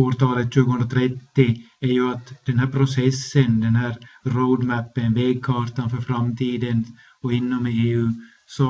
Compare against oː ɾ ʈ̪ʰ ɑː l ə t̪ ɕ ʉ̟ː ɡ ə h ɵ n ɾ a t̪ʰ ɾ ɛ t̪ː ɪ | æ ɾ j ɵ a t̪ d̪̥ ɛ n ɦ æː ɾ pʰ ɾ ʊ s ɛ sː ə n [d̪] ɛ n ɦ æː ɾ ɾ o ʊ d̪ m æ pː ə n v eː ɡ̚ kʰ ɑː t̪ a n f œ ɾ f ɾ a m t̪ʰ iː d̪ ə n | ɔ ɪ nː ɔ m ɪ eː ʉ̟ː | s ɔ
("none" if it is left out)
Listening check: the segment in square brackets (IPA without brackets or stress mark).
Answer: d̪